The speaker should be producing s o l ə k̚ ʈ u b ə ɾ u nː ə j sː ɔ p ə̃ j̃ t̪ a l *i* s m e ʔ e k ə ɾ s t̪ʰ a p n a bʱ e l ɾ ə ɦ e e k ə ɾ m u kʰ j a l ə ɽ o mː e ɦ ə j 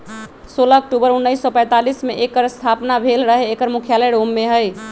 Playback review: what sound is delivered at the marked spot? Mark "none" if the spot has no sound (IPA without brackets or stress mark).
i